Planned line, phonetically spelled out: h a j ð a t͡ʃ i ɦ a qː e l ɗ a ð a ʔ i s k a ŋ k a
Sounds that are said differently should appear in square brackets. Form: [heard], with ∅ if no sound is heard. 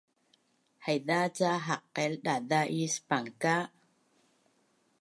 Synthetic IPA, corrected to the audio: h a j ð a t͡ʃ [a] ɦ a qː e l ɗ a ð a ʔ i s [p] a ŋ k a